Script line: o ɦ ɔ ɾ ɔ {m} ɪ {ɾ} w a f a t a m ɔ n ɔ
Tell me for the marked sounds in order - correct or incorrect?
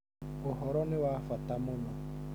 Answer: incorrect, incorrect

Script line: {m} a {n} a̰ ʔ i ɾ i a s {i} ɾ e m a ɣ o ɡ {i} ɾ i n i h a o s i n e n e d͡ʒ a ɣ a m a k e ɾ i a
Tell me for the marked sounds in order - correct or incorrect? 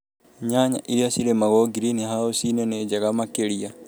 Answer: incorrect, incorrect, correct, correct

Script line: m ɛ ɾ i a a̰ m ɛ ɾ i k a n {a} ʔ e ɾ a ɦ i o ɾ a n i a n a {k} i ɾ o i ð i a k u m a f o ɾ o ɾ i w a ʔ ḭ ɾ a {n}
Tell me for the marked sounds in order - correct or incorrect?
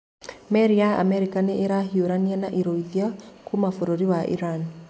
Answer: incorrect, incorrect, correct

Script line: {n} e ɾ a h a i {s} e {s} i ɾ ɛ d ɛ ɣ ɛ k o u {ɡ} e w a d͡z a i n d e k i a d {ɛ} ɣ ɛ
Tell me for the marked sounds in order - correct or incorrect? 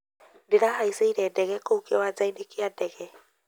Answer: incorrect, correct, incorrect, incorrect, correct

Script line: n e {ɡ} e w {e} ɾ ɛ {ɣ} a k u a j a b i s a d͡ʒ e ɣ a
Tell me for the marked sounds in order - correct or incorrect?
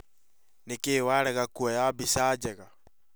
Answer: incorrect, incorrect, correct

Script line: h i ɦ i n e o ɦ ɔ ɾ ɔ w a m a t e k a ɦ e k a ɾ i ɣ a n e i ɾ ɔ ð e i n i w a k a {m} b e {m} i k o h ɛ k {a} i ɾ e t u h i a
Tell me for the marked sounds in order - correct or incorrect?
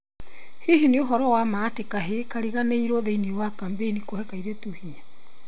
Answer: correct, incorrect, correct

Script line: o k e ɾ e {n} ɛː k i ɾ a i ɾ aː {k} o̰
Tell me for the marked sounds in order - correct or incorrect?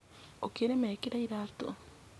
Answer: incorrect, incorrect

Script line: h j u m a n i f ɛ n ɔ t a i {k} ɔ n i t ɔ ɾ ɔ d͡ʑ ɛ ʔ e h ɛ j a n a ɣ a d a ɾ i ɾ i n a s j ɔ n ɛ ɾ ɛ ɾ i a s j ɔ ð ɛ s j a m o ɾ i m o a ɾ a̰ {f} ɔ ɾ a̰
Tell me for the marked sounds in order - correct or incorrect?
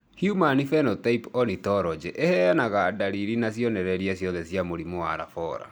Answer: incorrect, correct

